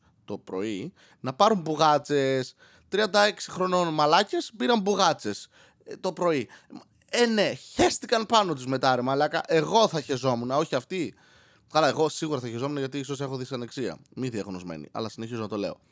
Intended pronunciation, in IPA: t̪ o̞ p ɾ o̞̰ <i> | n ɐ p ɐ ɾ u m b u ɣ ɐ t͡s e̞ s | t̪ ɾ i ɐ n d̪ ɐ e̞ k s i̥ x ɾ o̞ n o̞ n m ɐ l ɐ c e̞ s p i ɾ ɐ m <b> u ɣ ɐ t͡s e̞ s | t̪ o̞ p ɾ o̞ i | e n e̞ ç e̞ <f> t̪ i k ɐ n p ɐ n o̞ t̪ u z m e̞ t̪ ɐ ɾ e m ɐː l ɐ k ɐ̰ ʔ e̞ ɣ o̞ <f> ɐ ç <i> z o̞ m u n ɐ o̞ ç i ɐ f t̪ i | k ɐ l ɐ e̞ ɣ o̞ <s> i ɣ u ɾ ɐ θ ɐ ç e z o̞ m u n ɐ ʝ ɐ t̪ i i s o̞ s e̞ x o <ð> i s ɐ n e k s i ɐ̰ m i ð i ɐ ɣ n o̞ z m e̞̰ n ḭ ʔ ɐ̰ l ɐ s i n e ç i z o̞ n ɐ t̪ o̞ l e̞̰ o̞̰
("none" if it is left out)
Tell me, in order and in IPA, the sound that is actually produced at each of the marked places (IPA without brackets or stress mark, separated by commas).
i, b, s, θ, e, s, ð